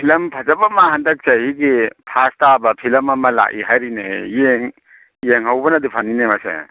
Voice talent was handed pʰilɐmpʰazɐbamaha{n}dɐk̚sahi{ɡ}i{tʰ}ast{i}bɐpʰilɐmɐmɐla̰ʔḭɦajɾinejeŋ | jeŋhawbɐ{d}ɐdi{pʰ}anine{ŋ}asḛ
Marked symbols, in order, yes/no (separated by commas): yes, yes, no, no, no, yes, no